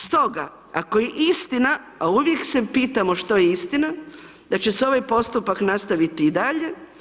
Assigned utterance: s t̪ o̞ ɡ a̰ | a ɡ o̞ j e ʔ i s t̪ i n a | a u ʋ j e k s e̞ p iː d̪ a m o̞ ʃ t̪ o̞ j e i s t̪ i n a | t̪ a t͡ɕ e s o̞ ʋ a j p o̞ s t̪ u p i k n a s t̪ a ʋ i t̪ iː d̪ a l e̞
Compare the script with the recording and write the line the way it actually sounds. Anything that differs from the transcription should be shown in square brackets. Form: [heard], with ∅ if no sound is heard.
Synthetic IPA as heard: s t̪ o̞ ɡ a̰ | a [k] o̞ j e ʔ i s t̪ i n a | a u ʋ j e k s e̞ p iː [t̪] a m o̞ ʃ t̪ o̞ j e i s t̪ i n a | [d̪] a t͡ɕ e s o̞ ʋ a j p o̞ s t̪ u p [a] k n a s t̪ a ʋ i t̪ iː d̪ a [ʎ] e̞

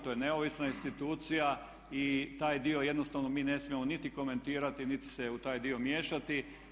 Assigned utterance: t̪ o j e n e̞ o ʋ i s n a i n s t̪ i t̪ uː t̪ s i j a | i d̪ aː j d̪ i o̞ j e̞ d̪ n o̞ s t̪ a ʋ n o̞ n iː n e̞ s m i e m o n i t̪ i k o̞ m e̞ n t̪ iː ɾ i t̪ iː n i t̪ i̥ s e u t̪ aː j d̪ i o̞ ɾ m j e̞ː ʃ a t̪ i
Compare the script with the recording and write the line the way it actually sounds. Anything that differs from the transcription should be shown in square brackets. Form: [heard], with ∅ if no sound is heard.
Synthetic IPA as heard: t̪ o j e n e̞ o ʋ i s n a i n s t̪ i t̪ uː t̪ s i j a | i [t̪] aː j d̪ i o̞ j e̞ d̪ n o̞ s t̪ a ʋ n o̞ [m] iː n e̞ s m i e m o n i t̪ i k o̞ m e̞ n t̪ iː ɾ [a] t̪ [i] n i t̪ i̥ s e u t̪ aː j d̪ i o̞ [∅] m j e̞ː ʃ a t̪ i

